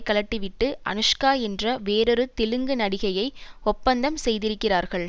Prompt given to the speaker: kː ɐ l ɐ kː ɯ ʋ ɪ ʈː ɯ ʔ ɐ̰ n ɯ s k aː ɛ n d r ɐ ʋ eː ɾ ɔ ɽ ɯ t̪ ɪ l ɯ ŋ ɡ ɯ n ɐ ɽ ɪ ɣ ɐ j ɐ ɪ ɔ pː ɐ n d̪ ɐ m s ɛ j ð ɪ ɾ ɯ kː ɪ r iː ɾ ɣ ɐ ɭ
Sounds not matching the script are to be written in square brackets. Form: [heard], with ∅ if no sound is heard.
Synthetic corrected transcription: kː ɐ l ɐ [ʈː] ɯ ʋ ɪ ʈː ɯ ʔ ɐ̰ n ɯ [ʂ] k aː ɛ n d r ɐ ʋ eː ɾ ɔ [ɾ] ɯ t̪ ɪ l ɯ ŋ ɡ ɯ n ɐ ɽ ɪ ɣ ɐ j ɐ ɪ ɔ pː ɐ n d̪ ɐ m s ɛ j ð ɪ ɾ ɯ kː ɪ r [aː] ɾ ɣ ɐ ɭ